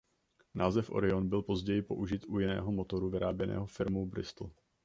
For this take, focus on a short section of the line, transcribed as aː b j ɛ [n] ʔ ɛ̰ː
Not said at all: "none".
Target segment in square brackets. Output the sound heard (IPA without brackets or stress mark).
n